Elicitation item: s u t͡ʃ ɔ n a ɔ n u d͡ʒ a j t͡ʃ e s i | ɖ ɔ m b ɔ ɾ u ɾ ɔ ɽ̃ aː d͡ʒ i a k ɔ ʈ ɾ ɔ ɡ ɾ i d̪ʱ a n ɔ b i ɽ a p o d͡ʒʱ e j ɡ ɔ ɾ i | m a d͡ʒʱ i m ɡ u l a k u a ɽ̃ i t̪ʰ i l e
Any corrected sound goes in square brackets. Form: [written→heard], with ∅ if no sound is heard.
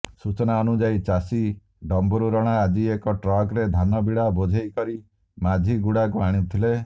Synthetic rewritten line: s u t͡ʃ ɔ n a ɔ n u d͡ʒ a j t͡ʃ [e→a] s i | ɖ ɔ m b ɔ ɾ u ɾ ɔ ɽ̃ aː d͡ʒ i [a→e] k ɔ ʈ ɾ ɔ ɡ ɾ [i→e] d̪ʱ a n ɔ b i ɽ a [p→b] o d͡ʒʱ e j [ɡ→k] ɔ ɾ i | m a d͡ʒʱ i [m→∅] ɡ u [l→ɽ] a k u a ɽ̃ i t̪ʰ i l e